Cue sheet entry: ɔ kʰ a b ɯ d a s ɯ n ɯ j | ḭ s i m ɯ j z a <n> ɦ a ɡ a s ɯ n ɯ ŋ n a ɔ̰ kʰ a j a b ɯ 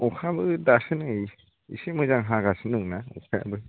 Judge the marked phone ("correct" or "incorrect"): incorrect